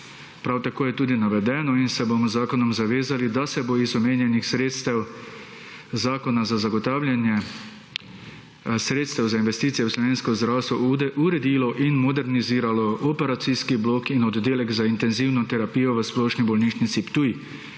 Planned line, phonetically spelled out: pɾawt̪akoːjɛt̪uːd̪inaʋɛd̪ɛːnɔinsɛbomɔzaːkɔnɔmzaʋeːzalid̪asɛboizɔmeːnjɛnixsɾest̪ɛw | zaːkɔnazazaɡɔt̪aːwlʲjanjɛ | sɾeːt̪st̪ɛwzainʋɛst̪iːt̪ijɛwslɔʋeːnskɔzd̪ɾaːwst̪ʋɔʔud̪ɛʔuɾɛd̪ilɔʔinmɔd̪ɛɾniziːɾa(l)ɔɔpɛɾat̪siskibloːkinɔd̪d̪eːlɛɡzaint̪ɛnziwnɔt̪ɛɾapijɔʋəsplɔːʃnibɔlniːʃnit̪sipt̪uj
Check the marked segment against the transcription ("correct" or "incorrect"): correct